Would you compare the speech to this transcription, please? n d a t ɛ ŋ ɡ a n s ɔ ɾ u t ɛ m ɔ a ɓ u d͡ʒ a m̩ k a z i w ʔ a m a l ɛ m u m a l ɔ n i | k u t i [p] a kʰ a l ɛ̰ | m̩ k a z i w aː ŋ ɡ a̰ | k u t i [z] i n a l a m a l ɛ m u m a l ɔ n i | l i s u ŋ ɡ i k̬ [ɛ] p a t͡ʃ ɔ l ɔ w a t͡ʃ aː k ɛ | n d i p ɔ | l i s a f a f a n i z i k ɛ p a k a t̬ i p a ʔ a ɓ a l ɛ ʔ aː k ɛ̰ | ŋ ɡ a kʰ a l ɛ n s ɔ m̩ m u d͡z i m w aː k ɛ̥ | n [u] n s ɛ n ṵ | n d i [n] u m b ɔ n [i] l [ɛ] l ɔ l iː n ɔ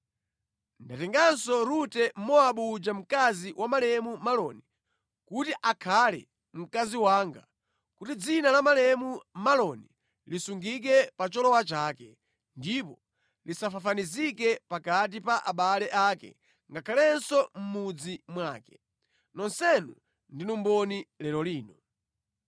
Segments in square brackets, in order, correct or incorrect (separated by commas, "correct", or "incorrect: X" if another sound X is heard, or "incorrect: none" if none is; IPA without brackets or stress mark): incorrect: ʔ, incorrect: d͡z, correct, incorrect: ɔ, correct, correct, correct